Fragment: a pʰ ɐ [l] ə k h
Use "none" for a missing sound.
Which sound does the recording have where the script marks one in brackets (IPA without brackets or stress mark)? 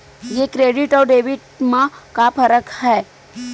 ɾ